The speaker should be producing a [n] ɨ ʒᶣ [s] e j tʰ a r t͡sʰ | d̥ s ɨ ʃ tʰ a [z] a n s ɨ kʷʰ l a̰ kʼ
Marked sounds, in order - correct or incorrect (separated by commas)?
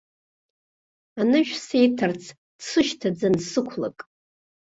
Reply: correct, correct, incorrect